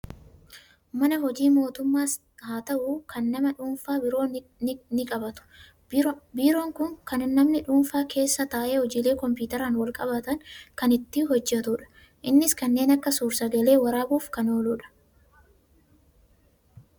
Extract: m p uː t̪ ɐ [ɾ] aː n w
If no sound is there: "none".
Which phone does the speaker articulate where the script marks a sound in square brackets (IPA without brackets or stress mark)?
ɾ